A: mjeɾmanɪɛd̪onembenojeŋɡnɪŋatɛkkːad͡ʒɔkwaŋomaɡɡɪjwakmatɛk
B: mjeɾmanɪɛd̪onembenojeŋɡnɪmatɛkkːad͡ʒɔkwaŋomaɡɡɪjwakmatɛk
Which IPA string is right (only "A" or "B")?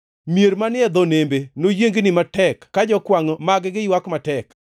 B